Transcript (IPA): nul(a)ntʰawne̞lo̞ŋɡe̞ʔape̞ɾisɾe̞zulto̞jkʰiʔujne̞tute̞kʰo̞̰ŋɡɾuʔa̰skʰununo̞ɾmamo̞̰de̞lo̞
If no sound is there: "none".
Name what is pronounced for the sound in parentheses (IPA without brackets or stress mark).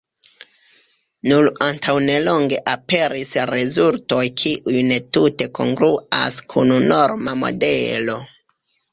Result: a